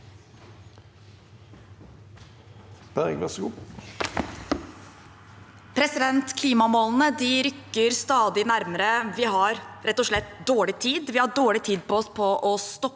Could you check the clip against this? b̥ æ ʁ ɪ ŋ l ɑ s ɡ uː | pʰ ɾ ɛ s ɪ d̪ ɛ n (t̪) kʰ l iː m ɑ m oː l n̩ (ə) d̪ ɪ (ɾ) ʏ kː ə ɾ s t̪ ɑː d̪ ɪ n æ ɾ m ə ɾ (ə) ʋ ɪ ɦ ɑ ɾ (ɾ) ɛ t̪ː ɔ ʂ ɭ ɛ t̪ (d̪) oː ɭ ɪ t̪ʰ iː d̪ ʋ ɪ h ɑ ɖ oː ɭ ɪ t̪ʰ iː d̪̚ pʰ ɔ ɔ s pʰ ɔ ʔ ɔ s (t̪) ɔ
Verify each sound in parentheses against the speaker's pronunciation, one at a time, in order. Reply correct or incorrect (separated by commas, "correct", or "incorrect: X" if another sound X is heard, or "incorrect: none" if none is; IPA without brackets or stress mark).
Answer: correct, correct, correct, correct, correct, correct, correct